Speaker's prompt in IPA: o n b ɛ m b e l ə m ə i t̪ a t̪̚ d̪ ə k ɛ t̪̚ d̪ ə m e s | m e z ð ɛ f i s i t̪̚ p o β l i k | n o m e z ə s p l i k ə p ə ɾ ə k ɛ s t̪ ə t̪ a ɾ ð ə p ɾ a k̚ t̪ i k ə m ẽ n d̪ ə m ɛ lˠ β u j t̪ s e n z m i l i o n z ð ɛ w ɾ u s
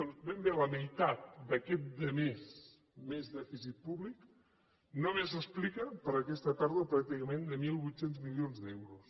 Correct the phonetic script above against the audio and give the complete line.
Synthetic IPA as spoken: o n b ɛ m b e l ə m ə j t̪ a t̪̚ d̪ ə k ɛ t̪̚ d̪ ə m e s | m e z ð ɛ f i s i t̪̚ p u β l i k | n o m e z ə s p l i k ə p ə ɾ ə k ɛ s t̪ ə t̪ a ɾ ð ə p ɾ a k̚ t̪ i k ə m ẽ n d̪ ə m i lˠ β u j t̪ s e n z m i l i o n z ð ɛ w ɾ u s

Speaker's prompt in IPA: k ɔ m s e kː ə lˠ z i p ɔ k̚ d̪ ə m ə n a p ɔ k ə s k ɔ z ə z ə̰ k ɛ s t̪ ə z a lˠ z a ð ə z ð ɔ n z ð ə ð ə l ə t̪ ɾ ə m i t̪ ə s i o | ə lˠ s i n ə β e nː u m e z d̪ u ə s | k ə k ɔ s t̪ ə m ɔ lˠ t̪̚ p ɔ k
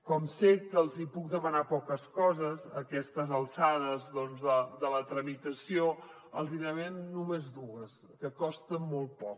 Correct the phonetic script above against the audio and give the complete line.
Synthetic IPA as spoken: k ɔ m s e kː ə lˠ z i p u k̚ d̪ ə m ə n a p ɔ k ə s k ɔ z ə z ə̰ k ɛ s t̪ ə z ə lˠ s a ð ə z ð ɔ n z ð ə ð ə l ə t̪ ɾ ə m i t̪ ə s i o | ə lˠ z i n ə β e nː u m e z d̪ u ə s | k ə k ɔ s t̪ ə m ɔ lˠ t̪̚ p ɔ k

